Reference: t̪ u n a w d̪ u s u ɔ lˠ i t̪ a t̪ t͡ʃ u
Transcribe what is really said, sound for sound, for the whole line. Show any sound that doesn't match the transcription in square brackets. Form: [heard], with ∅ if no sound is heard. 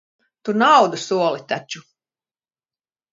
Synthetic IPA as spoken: t̪ u n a w d̪ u s u ɔ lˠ i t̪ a [∅] t͡ʃ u